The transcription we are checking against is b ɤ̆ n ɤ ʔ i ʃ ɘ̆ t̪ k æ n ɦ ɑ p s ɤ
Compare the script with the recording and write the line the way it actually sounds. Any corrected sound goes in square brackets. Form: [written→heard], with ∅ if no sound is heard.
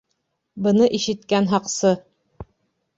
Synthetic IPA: b ɤ̆ n ɤ ʔ i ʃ ɘ̆ t̪ k æ n ɦ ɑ [p→q] s ɤ